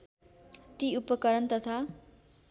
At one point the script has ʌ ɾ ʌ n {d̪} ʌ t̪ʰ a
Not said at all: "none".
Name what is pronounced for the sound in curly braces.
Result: t̪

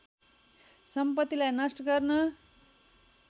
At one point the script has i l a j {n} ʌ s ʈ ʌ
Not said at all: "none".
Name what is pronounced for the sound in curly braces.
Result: n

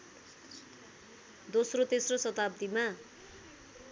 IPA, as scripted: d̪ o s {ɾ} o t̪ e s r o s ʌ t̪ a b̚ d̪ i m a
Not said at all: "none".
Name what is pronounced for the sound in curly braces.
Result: r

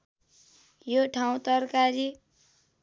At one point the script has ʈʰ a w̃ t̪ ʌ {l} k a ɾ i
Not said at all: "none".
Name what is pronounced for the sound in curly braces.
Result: r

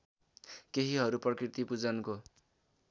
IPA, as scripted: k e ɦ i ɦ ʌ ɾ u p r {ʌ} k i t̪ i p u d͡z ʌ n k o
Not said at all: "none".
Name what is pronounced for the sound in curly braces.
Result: ʌ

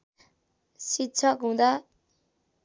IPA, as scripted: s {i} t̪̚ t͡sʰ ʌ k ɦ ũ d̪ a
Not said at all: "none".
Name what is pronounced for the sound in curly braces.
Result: i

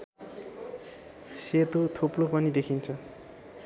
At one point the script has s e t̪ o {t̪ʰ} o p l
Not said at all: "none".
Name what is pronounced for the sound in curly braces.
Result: t̪ʰ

